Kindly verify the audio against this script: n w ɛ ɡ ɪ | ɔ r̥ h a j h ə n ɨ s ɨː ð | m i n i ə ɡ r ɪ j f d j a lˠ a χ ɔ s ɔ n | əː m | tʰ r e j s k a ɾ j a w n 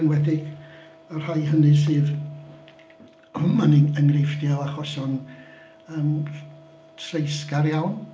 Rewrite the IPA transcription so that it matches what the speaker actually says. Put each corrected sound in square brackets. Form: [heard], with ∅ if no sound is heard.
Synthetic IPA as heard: n w ɛ [d] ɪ | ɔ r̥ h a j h ə n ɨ s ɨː ð | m [a] n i ə [ŋ] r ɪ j f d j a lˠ a χ ɔ s ɔ n | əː m | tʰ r e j s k a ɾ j a w n